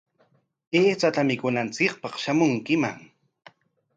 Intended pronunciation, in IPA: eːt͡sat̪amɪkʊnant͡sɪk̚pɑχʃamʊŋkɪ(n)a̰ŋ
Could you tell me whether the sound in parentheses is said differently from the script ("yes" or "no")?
yes